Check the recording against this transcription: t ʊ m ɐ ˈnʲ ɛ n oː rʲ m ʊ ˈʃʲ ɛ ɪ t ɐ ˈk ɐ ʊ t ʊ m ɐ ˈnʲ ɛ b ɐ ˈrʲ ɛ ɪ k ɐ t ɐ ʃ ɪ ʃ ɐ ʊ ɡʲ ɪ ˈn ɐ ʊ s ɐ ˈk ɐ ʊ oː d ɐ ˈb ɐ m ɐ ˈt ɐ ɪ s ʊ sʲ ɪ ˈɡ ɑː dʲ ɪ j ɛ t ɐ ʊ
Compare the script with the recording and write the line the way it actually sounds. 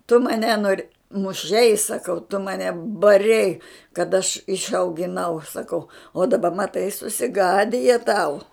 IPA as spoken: t ʊ m ɐ ˈnʲ ɛ n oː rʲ m ʊ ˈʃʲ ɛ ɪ s ɐ ˈk ɐ ʊ t ʊ m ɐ ˈnʲ ɛ b ɐ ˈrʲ ɛ ɪ k ɐ t ɐ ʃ ɪ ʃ ɐ ʊ ɡʲ ɪ ˈn ɐ ʊ s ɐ ˈk ɐ ʊ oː d ɐ ˈb ɐ m ɐ ˈt ɐ ɪ s ʊ sʲ ɪ ˈɡ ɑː dʲ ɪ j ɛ t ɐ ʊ